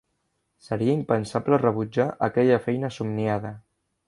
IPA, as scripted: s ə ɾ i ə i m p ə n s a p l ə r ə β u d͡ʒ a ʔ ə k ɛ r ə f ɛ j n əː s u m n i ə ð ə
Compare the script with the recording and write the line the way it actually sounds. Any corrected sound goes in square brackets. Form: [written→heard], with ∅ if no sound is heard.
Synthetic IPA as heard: s ə ɾ i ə i m p ə n s a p l ə r ə β u d͡ʒ a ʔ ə k ɛ [r→ʎ] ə f ɛ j n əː s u m n i [ə→a] ð ə